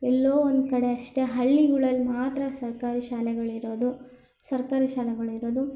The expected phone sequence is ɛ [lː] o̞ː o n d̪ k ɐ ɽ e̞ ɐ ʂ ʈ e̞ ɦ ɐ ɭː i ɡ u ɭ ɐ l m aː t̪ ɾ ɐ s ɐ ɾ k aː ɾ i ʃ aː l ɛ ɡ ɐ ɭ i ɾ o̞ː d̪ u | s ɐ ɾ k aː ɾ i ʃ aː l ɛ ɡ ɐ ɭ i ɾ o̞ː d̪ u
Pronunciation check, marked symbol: correct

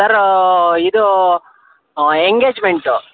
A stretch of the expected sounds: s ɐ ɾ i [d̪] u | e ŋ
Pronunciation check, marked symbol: correct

